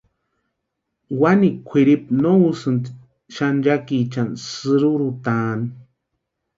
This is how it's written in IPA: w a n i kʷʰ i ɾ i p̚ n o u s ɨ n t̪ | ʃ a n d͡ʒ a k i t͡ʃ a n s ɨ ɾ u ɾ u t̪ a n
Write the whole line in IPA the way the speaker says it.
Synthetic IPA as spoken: w a n i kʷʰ i ɾ i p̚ n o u s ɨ n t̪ | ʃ a n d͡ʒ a k i t͡ʃ a n s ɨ ɾ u ɾ u t̪ a n